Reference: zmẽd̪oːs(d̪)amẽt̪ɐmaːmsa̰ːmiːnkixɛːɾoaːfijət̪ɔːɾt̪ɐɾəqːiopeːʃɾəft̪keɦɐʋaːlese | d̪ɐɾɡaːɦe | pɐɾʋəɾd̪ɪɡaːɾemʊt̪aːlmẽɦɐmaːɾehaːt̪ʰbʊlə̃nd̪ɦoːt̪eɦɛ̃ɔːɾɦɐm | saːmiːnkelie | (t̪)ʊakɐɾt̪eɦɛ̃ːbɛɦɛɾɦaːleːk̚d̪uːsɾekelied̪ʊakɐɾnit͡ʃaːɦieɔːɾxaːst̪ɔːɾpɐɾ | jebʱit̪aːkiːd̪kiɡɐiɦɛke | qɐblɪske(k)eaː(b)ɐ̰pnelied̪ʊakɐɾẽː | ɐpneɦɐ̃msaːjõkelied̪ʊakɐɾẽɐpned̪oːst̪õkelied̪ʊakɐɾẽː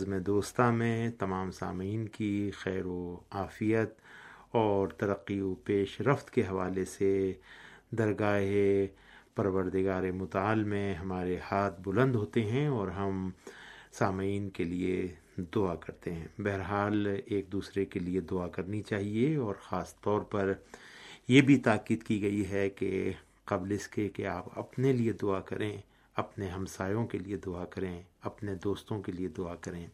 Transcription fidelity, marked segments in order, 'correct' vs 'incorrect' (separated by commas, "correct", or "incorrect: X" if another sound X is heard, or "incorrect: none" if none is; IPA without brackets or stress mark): incorrect: t̪, incorrect: d̪, correct, incorrect: p